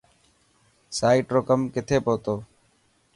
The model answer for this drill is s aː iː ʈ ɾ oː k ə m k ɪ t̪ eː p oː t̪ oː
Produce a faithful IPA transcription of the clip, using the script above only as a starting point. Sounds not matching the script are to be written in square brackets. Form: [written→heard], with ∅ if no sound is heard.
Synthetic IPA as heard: s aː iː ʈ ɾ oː k ə m k ɪ [t̪→t̪ʰ] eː p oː t̪ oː